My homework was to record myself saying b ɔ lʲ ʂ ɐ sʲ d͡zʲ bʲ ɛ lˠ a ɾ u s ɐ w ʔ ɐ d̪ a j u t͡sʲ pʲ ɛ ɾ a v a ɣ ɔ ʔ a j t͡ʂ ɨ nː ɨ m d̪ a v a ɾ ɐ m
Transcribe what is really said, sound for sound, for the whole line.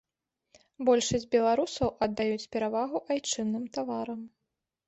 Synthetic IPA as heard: b ɔ lʲ ʂ ɐ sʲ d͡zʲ bʲ ɛ lˠ a ɾ u s ɐ w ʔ ɐ d̪ː a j u t͡sʲ pʲ ɛ ɾ a v a ɣ u ʔ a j t͡ʂ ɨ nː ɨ m t̪ a v a ɾ ɐ m